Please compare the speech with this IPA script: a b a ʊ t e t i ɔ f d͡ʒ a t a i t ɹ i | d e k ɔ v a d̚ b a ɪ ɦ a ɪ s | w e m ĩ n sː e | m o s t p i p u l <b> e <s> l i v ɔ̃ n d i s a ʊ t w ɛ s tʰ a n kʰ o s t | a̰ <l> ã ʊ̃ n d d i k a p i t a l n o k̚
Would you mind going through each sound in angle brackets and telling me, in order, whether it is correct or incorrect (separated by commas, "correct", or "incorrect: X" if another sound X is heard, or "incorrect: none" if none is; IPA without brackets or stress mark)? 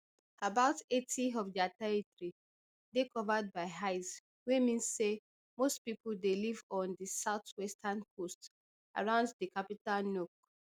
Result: incorrect: d, incorrect: none, incorrect: ɹ